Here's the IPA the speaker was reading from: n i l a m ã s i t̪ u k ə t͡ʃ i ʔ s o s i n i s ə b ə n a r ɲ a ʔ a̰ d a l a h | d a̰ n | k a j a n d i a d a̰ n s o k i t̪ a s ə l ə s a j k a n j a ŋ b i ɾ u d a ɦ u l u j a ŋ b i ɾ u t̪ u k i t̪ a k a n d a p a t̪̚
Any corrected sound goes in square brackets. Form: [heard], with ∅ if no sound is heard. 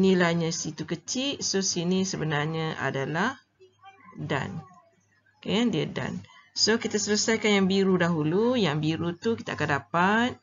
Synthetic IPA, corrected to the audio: n i l a [ɲ] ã s i t̪ u k ə t͡ʃ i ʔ s o s i n i s ə b ə n a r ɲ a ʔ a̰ d a l a h | d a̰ n | k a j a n d i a d a̰ n s o k i t̪ a s ə l ə s a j k a n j a ŋ b i ɾ u d a ɦ u l u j a ŋ b i ɾ u t̪ u k i t̪ a k a n d a p a t̪̚